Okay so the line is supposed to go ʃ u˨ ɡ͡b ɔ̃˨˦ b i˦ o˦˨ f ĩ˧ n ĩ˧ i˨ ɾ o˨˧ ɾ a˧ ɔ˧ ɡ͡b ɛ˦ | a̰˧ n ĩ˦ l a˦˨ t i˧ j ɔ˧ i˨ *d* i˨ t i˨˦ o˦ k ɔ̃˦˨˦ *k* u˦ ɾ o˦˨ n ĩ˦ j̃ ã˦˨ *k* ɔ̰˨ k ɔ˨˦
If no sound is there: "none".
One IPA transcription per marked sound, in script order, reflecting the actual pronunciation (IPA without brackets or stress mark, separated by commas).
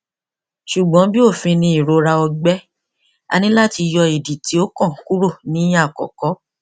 d, k, k